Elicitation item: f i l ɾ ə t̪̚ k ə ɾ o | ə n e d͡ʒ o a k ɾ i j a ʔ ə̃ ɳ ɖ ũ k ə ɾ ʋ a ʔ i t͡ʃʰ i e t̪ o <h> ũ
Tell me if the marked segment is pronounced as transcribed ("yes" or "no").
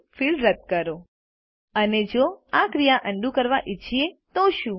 no